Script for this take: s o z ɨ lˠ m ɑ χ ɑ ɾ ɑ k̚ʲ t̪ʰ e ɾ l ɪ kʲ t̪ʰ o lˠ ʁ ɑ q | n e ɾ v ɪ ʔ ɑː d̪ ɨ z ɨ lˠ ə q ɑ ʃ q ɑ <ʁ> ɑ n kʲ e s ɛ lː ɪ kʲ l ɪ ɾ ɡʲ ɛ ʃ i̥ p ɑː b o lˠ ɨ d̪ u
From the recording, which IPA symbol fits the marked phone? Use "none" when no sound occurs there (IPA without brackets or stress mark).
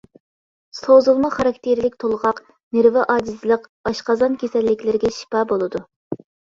z